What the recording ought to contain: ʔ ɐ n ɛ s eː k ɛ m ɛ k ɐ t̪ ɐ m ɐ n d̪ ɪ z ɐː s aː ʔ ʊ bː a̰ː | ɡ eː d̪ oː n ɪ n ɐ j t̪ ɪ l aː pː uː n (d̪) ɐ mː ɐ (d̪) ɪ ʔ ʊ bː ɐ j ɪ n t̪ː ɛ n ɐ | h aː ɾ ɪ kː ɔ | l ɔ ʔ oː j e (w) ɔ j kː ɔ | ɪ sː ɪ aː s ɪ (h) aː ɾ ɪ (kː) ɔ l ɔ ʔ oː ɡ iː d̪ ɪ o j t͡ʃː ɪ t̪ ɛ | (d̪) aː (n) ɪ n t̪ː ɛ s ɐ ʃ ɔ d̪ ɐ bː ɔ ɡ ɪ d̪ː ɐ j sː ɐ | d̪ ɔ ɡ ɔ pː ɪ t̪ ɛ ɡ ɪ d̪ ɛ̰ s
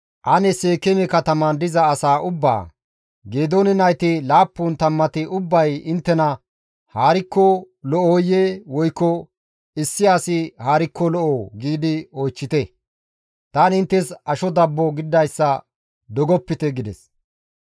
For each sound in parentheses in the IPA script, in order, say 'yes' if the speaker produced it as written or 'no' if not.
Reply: no, no, yes, yes, yes, no, yes

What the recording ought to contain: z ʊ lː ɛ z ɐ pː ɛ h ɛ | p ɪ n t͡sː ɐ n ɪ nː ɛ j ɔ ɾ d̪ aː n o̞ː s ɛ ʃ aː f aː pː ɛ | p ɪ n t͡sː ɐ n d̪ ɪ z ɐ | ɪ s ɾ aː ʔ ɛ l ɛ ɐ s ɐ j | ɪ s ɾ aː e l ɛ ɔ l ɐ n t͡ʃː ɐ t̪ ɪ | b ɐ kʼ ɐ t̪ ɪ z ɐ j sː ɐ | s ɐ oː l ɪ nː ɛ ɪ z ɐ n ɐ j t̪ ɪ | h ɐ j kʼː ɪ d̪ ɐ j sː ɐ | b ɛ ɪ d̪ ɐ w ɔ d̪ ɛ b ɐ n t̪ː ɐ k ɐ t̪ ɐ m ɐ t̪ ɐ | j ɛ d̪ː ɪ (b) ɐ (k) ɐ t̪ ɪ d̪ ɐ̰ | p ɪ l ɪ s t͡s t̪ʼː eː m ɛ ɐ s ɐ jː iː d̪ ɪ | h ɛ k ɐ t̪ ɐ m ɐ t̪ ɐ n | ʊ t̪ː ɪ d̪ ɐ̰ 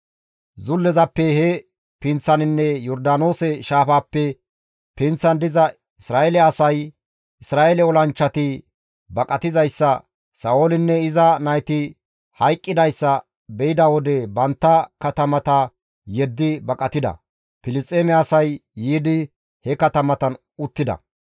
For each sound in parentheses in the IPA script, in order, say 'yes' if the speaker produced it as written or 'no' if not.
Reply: yes, no

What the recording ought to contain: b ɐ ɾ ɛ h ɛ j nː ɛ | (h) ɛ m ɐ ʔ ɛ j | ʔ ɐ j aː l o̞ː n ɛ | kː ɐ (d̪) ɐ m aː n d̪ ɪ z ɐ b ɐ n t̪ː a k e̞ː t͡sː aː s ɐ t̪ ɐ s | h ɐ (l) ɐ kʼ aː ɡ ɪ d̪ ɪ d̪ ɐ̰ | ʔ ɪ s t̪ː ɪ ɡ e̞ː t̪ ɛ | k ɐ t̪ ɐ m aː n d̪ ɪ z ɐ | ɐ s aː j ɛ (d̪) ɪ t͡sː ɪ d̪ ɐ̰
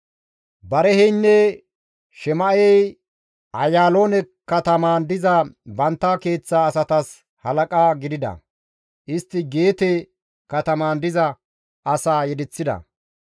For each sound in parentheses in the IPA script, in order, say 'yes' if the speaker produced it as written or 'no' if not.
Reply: no, no, yes, yes

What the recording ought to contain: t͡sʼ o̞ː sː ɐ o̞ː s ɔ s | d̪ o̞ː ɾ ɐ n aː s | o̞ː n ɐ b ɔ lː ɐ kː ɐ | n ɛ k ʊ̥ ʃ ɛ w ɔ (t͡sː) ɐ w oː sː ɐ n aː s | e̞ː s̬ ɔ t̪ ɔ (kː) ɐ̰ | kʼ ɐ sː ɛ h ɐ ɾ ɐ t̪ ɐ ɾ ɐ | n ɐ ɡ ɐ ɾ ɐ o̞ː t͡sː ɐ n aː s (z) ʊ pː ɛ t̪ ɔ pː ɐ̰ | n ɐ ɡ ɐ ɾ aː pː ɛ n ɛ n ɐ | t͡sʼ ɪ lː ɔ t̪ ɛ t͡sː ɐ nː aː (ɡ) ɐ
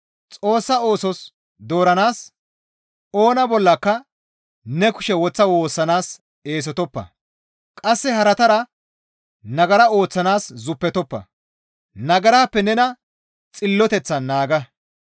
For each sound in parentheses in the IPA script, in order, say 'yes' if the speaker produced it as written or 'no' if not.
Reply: yes, no, yes, yes

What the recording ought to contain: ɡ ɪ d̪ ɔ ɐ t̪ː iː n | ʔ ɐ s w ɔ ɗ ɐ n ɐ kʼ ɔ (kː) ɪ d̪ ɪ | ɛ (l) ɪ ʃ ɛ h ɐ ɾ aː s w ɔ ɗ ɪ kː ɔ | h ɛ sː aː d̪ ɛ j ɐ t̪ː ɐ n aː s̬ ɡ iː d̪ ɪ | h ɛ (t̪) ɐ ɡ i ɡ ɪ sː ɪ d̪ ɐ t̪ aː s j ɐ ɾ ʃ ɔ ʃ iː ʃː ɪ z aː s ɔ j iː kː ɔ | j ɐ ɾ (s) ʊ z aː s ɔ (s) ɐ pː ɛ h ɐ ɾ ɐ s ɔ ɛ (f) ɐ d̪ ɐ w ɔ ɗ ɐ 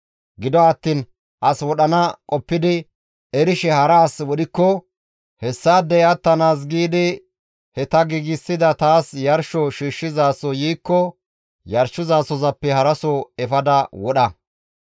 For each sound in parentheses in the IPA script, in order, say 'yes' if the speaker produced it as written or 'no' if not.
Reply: no, no, yes, no, no, yes

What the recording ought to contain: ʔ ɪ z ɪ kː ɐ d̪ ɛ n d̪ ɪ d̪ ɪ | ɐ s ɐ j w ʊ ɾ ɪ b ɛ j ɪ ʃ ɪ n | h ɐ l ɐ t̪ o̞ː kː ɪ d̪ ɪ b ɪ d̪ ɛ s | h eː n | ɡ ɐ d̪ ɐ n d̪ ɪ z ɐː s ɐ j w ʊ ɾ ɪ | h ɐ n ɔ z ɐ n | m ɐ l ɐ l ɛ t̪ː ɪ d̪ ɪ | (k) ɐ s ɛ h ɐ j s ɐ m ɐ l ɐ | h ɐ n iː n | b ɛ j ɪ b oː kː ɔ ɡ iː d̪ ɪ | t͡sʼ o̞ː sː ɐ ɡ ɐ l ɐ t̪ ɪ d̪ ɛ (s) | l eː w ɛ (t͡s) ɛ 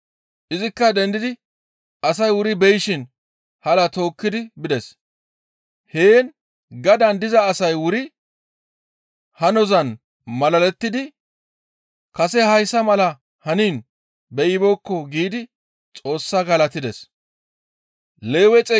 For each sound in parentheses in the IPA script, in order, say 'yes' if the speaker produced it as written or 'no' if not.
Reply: yes, yes, no

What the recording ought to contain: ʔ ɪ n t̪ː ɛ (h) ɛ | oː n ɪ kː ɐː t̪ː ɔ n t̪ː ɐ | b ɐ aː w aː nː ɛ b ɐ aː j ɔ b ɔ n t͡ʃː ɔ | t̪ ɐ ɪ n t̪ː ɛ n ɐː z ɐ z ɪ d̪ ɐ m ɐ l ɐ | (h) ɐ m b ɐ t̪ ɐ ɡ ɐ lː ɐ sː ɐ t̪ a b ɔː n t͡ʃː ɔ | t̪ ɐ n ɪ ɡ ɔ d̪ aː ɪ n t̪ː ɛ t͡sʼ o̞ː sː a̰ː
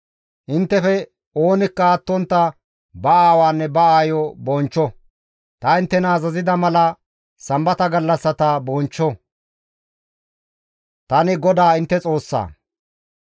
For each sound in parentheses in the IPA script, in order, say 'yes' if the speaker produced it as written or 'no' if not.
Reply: no, no

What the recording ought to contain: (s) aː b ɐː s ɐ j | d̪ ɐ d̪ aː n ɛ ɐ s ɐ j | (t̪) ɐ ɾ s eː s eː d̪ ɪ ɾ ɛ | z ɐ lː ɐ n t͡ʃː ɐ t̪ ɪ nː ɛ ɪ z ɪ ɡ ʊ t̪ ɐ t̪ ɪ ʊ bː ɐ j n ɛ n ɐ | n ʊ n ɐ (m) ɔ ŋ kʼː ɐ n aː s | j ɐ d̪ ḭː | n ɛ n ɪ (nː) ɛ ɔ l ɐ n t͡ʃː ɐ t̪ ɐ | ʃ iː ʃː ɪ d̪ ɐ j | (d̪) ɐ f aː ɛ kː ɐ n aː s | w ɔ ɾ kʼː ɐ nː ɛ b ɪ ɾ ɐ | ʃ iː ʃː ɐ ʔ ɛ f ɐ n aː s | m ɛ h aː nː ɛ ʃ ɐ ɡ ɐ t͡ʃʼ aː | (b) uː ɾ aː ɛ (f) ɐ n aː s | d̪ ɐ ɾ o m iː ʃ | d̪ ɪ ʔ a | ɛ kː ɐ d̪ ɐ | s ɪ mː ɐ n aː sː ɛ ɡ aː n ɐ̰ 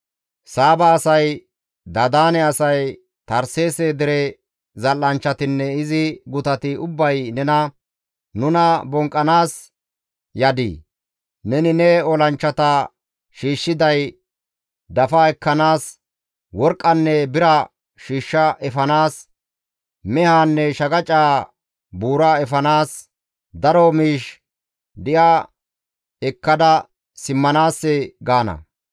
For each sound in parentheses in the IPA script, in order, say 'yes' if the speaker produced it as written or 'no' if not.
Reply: yes, yes, no, no, yes, yes, yes

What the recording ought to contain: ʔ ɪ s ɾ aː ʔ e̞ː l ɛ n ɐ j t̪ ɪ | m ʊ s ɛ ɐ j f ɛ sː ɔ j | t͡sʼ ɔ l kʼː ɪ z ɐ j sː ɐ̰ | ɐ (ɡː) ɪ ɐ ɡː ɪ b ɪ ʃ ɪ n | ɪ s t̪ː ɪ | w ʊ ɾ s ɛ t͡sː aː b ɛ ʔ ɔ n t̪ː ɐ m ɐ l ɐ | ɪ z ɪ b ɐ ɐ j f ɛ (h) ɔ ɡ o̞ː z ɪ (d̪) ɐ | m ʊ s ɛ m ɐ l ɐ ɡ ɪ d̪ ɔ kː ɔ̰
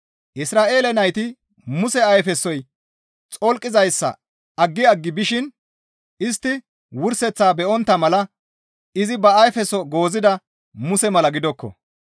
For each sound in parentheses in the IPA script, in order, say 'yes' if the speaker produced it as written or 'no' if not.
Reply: yes, no, yes

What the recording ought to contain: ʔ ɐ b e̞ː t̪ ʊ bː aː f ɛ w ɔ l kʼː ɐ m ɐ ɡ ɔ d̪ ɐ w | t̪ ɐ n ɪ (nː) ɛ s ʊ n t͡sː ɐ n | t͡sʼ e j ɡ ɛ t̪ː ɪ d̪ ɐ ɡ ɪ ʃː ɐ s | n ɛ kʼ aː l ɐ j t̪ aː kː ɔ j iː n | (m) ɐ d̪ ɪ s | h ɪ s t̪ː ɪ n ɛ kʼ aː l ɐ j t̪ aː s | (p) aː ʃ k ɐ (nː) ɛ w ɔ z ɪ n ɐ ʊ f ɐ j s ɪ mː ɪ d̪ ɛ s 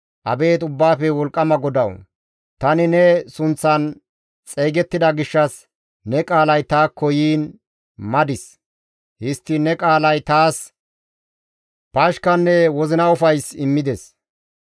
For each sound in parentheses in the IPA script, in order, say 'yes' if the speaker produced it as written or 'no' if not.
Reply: no, yes, yes, yes

